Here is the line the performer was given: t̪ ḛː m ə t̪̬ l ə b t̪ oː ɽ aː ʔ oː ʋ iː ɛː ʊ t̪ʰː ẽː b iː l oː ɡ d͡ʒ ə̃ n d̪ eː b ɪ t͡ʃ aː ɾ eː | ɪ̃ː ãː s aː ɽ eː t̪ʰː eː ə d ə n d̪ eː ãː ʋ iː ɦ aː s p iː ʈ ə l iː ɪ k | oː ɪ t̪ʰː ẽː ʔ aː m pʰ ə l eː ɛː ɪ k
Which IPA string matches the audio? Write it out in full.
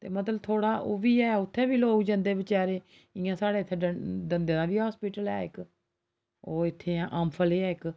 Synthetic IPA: t̪ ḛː m ə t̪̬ l ə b t̪ʰ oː ɽ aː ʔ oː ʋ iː ɛː ʊ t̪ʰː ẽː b iː l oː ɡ d͡ʒ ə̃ n d̪ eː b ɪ t͡ʃ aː ɾ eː | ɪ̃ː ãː s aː ɽ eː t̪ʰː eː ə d ə n d̪ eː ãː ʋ iː ɦ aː s p iː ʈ ə l ɛː ɪ k | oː ɪ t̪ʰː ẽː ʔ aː m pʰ ə l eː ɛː ɪ k